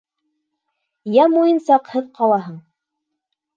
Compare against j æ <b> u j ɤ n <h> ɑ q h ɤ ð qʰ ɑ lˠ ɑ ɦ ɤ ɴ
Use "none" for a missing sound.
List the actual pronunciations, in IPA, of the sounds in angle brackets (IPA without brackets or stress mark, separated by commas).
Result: m, s